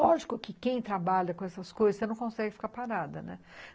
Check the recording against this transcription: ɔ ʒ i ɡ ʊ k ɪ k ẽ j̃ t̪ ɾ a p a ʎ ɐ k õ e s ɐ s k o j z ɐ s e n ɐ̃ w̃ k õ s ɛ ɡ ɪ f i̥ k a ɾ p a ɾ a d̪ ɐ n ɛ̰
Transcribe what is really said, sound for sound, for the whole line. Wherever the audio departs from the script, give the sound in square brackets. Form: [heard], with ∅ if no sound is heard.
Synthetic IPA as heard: ɔ ʒ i [k] ʊ k ɪ k ẽ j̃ t̪ ɾ a [b] a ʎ ɐ k õ [ɛ] s ɐ s k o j z ɐ s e n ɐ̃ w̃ k õ s ɛ ɡ ɪ f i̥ k a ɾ p a ɾ a d̪ ɐ n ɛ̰